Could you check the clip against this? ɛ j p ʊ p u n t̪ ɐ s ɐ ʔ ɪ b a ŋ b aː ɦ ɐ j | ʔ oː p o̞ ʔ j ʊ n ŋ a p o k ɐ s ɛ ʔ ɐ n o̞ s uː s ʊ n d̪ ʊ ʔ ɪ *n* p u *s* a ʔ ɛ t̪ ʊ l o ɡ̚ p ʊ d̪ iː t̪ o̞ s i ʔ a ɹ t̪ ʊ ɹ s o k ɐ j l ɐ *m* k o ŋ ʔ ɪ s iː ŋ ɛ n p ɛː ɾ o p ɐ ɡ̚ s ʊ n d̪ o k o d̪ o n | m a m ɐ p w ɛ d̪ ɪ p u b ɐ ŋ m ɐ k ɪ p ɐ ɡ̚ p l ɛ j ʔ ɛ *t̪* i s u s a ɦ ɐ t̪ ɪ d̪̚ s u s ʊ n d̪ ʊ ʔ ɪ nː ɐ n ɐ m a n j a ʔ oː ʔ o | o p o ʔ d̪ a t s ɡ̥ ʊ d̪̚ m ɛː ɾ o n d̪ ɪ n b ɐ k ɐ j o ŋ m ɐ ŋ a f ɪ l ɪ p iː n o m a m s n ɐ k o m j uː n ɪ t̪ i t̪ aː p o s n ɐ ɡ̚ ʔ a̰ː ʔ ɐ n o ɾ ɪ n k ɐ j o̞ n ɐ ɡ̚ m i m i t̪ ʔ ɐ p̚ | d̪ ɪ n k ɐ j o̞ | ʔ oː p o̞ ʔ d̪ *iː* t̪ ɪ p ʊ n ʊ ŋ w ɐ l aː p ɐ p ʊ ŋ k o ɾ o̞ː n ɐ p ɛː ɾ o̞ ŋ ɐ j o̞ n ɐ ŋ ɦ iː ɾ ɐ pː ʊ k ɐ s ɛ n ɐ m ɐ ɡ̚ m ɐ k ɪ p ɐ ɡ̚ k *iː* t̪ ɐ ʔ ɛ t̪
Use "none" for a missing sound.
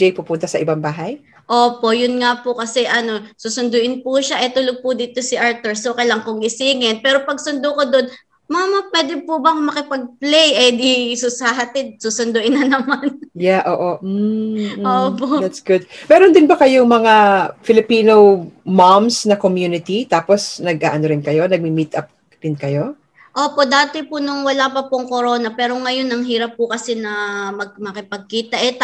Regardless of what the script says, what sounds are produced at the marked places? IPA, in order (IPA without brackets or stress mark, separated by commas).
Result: n, ʃ, ŋ, d̪, aː, iː